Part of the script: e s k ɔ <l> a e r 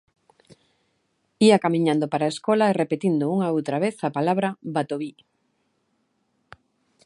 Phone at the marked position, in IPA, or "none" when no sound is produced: l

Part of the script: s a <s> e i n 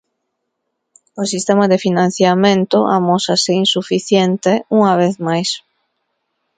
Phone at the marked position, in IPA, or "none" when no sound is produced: s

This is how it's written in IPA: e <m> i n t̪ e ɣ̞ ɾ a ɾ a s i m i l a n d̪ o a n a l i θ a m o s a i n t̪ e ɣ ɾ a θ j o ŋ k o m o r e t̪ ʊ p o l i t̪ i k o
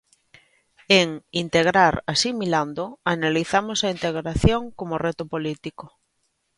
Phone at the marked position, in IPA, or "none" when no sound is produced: ŋ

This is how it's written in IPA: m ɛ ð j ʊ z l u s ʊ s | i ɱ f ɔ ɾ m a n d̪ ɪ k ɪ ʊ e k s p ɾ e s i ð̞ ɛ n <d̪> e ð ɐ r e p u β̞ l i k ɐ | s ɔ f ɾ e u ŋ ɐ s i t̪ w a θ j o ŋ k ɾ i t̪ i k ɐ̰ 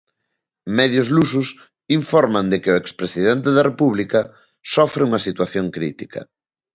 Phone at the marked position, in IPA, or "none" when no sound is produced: t̪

